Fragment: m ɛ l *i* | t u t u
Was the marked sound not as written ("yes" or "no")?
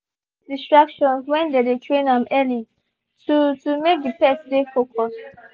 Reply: no